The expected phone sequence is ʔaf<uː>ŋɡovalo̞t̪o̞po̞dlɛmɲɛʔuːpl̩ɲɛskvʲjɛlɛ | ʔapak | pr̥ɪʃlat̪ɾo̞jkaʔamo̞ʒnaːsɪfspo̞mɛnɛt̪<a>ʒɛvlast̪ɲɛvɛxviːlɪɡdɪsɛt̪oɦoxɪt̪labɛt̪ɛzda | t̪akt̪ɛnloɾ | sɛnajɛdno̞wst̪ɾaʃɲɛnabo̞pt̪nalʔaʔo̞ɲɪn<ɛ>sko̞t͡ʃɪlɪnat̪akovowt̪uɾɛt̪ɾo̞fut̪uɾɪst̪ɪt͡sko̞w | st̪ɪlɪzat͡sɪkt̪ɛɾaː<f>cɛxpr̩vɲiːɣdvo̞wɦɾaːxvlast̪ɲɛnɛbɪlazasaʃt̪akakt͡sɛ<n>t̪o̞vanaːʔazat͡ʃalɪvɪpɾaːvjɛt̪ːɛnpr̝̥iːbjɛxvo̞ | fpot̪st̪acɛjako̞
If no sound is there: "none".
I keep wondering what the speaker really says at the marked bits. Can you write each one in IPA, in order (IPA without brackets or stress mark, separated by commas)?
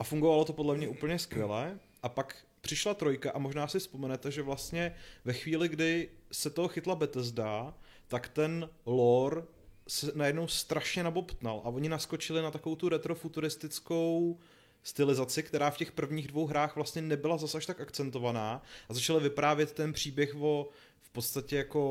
u, ɛ, a, f, n